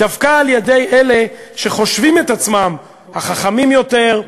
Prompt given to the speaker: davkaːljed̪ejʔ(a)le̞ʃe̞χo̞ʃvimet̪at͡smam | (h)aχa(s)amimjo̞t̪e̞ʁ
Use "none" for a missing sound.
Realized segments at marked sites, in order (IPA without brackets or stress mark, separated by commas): e, h, χ